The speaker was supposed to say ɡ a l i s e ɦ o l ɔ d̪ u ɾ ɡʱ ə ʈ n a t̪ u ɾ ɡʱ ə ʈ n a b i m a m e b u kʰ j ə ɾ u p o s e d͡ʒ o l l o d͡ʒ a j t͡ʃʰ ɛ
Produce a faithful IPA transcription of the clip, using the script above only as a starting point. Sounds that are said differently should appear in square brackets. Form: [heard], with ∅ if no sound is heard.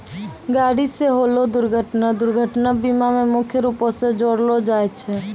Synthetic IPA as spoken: ɡ a [ɽ] i s e ɦ o l [o] d̪ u ɾ ɡʱ ə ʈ n a [d̪] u ɾ ɡʱ ə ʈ n a b i m a m e [m] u kʰ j ə ɾ u p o s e d͡ʒ o [ɽ] l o d͡ʒ a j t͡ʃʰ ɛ